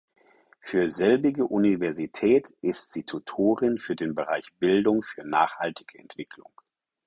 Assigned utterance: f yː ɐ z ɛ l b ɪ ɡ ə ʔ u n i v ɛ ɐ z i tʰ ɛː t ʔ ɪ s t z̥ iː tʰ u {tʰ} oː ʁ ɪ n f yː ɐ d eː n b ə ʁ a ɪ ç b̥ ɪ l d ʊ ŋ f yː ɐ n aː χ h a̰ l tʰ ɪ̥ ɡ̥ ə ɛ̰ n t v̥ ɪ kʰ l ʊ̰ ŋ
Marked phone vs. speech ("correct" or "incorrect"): correct